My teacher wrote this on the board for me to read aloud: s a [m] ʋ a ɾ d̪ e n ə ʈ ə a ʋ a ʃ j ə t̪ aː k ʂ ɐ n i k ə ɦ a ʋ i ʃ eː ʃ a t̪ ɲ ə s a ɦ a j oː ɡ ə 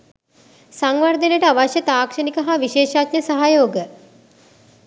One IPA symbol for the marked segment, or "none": ŋ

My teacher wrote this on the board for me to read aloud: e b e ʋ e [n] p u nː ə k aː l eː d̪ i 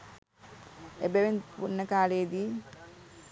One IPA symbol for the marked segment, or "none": n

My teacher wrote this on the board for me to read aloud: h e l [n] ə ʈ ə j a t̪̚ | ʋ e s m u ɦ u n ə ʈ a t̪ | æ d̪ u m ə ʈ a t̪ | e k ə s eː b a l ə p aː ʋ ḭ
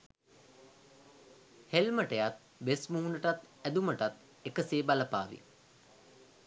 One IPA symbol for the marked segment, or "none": m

